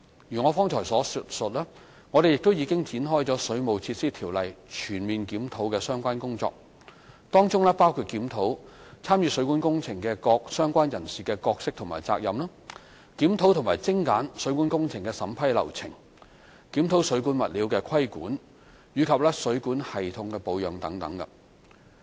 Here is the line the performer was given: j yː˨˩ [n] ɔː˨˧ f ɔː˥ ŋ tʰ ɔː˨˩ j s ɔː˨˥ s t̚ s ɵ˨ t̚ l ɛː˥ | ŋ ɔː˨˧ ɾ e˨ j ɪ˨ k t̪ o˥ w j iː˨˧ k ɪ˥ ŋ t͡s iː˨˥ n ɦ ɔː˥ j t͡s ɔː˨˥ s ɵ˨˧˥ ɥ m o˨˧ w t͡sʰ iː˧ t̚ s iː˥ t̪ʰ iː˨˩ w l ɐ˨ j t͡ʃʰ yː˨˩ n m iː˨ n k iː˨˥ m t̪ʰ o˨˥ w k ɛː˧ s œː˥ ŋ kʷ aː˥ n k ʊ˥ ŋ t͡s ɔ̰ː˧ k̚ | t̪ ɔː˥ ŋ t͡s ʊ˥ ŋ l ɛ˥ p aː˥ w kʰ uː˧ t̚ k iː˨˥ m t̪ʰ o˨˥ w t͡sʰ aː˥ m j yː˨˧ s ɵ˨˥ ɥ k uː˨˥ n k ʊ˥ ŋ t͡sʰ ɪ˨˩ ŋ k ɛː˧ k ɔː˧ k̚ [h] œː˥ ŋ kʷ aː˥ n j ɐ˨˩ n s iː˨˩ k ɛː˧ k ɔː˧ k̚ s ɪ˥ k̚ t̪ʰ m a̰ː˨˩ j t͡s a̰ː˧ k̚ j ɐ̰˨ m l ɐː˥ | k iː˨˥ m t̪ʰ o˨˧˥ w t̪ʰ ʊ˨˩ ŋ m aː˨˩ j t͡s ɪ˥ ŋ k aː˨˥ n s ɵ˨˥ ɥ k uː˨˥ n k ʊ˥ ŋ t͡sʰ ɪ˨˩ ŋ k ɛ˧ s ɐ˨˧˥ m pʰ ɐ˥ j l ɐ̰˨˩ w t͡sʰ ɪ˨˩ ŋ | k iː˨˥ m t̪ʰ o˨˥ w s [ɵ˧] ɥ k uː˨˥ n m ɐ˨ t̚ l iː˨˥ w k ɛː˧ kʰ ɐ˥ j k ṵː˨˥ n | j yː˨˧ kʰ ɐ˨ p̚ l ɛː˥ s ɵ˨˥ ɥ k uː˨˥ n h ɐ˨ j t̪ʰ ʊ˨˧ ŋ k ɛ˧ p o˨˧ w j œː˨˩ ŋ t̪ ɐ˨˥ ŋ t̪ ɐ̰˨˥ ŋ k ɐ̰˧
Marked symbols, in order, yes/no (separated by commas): no, no, no